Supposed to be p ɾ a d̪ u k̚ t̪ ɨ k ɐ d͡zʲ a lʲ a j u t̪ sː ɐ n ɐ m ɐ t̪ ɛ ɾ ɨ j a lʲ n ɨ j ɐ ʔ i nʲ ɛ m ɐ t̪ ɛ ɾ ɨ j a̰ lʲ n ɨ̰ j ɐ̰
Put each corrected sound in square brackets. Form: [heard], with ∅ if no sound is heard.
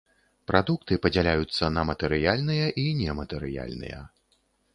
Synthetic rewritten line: p ɾ a d̪ u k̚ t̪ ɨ [p] ɐ d͡zʲ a lʲ a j u t̪ sː ɐ n ɐ m ɐ t̪ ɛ ɾ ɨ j a lʲ n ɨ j ɐ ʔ i nʲ ɛ m ɐ t̪ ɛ ɾ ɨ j a̰ lʲ n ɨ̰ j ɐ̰